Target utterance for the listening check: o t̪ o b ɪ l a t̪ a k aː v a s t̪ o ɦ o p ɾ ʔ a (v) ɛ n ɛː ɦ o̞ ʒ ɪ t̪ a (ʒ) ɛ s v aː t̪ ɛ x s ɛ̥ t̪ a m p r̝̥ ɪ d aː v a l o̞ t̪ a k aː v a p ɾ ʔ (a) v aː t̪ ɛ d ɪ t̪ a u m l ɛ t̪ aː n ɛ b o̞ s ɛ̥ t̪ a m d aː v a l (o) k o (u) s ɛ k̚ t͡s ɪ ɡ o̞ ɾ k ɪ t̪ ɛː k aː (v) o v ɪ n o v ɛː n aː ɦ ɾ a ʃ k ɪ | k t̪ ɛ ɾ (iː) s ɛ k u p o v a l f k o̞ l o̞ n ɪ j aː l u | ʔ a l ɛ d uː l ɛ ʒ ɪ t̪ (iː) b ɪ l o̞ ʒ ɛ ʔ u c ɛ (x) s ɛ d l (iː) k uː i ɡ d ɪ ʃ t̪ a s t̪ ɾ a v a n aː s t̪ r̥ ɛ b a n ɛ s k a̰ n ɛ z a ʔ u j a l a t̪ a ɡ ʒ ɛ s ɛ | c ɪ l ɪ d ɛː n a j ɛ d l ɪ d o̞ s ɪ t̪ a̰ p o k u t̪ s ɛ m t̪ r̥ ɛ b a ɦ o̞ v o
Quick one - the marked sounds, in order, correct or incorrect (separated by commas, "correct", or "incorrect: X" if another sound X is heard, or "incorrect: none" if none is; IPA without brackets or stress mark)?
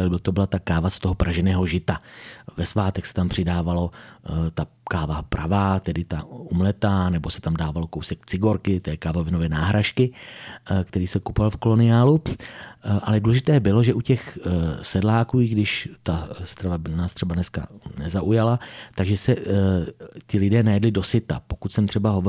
incorrect: ʒ, incorrect: v, correct, correct, incorrect: w, correct, correct, incorrect: ɛː, correct, incorrect: aː